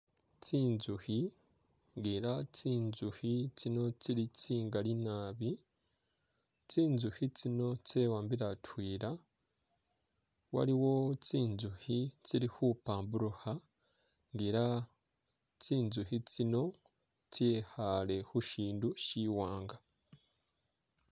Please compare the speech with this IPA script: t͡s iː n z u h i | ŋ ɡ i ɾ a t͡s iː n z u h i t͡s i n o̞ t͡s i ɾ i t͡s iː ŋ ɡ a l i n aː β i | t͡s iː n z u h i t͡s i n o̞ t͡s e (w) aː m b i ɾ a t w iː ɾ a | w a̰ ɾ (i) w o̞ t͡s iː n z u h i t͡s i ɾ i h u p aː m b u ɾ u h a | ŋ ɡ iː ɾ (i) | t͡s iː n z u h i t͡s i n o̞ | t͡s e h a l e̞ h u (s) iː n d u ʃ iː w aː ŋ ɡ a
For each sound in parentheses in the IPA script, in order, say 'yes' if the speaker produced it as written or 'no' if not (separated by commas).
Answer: yes, yes, no, no